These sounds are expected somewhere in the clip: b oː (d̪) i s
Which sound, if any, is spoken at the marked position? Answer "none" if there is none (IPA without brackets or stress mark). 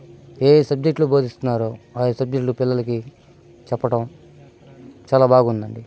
d̪